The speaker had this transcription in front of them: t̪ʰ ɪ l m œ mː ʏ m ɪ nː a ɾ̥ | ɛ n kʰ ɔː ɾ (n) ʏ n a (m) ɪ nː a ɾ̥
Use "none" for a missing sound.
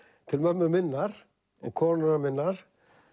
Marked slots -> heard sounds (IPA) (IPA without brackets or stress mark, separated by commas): n, m